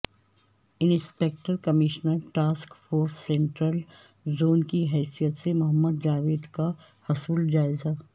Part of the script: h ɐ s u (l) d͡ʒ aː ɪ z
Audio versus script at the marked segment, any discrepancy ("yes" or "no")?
no